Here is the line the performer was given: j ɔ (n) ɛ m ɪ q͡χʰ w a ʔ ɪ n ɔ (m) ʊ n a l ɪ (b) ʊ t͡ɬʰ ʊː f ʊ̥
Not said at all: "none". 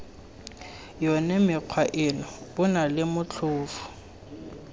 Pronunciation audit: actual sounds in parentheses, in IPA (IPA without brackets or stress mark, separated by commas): n, b, m